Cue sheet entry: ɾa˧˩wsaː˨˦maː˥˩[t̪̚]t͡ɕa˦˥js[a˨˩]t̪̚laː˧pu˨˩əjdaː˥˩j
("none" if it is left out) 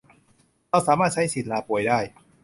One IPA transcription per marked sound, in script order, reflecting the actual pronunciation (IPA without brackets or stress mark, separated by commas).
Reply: t̪̚, i˨˩